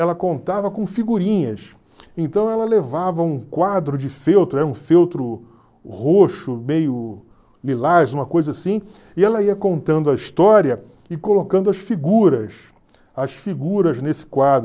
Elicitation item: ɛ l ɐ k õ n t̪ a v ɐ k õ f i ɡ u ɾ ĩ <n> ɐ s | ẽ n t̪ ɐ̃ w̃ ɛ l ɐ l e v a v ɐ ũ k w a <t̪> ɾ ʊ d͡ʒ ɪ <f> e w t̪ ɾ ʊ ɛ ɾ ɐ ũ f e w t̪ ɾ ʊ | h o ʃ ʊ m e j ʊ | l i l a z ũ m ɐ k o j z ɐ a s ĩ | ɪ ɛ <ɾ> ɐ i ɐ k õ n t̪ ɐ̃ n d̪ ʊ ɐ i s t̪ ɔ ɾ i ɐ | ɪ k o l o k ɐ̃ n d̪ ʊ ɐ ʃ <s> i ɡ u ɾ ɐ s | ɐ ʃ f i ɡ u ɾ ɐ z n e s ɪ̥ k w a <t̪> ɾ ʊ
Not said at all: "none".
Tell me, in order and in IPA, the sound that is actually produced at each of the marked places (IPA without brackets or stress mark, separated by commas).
ɲ, d̪, f, l, f, d̪